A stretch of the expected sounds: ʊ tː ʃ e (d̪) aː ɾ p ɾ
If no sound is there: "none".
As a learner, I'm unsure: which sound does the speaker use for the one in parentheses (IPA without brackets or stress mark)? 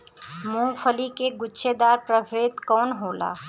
d̪